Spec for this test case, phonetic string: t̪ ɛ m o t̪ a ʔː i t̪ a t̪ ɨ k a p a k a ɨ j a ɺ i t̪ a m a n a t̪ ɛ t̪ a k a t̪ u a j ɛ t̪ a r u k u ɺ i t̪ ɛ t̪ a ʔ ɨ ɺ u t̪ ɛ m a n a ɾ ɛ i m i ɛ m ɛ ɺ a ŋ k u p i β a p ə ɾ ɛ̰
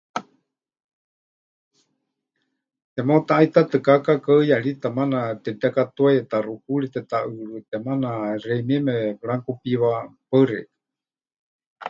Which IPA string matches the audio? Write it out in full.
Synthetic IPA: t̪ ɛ m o t̪ a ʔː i t̪ a t̪ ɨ k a k a k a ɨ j a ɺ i t̪ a m a n a t̪ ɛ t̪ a k a t̪ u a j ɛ t̪ a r u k u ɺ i t̪ ɛ t̪ a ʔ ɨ ɺ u t̪ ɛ m a n a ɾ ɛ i m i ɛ m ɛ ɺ a ŋ k u p i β a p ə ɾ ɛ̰